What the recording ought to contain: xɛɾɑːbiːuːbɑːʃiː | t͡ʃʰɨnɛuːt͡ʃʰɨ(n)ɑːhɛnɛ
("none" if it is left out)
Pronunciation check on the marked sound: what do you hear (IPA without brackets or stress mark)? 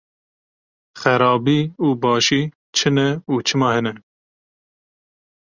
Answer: m